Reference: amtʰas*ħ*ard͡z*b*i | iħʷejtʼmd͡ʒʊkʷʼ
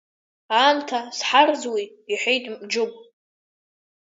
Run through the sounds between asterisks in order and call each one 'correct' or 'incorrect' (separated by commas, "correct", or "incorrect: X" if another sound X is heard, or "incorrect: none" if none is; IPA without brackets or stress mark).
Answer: correct, incorrect: w